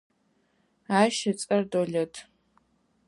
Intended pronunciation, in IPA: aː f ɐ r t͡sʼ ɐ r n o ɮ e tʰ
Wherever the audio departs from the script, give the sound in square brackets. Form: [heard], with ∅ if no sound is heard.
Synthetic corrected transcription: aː [ʃ] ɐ [∅] t͡sʼ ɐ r [d] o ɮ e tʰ